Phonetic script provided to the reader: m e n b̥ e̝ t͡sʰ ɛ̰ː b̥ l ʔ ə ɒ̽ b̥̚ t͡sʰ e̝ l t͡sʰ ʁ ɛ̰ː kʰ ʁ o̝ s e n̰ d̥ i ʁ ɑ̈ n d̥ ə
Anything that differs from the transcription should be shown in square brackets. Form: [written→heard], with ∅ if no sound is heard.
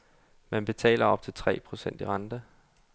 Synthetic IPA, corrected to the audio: m [e→æ] n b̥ e̝ t͡sʰ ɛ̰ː [b̥→∅] l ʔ [ə→ɐ] ɒ̽ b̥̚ t͡sʰ e̝ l t͡sʰ ʁ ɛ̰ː [kʰ→pʰ] ʁ o̝ s e n̰ d̥ i ʁ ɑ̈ n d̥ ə